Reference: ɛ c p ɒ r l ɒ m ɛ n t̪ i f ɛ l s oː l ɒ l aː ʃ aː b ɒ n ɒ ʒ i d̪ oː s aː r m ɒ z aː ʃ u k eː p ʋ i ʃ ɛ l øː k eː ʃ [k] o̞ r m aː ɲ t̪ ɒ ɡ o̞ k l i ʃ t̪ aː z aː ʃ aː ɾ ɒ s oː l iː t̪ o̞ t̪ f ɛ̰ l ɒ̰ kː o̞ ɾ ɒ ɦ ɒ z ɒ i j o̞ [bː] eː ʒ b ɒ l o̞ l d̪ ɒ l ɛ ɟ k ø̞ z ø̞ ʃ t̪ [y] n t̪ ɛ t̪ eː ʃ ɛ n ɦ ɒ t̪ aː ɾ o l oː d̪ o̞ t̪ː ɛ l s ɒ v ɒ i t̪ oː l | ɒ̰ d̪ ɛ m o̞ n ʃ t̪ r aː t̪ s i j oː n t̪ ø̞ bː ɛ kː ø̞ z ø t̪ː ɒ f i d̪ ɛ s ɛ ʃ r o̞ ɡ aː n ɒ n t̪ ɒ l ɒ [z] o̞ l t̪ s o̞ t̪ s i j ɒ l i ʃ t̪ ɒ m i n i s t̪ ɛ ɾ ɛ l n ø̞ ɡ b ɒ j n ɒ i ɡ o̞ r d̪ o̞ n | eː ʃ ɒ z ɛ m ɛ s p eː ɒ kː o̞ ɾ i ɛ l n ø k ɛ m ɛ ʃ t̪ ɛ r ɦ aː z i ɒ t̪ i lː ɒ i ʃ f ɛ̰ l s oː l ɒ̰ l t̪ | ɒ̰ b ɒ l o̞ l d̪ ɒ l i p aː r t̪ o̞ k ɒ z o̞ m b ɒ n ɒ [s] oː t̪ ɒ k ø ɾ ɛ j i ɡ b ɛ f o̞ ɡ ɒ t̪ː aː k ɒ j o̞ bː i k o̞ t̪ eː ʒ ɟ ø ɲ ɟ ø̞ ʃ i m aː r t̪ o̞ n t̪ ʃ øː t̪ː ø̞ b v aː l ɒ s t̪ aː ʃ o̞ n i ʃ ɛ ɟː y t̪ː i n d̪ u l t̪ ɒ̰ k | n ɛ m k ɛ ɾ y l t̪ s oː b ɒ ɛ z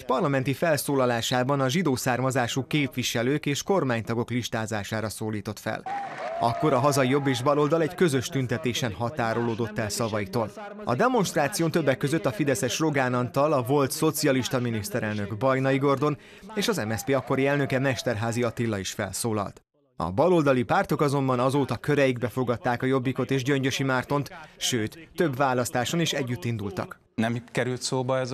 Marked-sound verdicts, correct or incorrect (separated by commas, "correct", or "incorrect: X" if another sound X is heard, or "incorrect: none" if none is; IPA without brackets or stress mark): correct, correct, correct, incorrect: v, incorrect: z